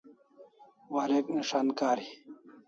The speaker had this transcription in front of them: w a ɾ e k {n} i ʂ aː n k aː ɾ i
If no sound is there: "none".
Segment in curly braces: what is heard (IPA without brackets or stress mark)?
n